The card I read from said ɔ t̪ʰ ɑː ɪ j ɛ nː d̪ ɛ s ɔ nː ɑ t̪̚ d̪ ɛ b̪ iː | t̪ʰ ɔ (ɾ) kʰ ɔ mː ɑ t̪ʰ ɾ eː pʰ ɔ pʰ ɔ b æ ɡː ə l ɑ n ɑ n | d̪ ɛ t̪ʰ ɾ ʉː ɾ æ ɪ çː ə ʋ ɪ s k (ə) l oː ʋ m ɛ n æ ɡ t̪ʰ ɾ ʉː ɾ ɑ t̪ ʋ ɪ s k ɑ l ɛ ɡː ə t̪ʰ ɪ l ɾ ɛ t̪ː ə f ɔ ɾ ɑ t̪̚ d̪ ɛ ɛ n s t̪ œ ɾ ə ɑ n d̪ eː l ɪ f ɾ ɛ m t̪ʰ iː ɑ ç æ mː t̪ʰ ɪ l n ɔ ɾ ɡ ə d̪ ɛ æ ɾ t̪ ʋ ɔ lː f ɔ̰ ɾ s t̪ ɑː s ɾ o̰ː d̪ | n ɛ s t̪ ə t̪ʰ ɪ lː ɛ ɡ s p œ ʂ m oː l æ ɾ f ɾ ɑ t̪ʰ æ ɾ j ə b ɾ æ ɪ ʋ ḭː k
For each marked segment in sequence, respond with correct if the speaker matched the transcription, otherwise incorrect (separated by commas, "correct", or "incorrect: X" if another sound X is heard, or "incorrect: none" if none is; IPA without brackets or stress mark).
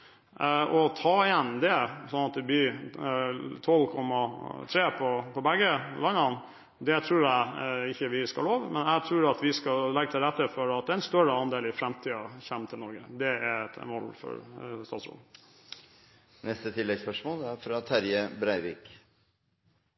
incorrect: l, incorrect: ɑ